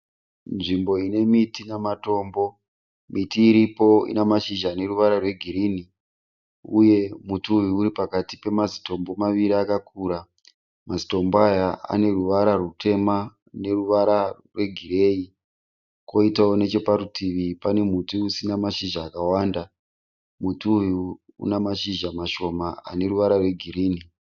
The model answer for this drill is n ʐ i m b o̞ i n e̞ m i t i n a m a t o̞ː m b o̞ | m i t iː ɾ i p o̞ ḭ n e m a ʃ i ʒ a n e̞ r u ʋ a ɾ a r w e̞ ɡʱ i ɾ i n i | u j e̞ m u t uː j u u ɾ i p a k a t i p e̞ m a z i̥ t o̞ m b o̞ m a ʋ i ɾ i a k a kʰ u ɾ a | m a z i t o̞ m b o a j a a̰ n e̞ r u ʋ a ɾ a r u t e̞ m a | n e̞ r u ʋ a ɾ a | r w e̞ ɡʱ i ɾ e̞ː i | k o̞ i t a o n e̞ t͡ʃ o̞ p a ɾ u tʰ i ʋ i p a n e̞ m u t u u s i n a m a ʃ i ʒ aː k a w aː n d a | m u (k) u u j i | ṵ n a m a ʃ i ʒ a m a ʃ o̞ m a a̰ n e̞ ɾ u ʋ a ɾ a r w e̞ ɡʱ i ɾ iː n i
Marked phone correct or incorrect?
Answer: incorrect